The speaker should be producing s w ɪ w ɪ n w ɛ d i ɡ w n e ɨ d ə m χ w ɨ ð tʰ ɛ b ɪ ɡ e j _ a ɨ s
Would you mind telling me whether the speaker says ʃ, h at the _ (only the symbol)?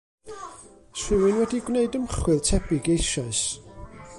ʃ